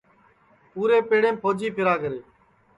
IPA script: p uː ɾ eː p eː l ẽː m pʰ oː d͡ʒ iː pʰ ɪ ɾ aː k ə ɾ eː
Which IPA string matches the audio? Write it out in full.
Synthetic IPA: p uː ɾ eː p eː ɽ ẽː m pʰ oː d͡ʒ iː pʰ ɪ ɾ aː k ə ɾ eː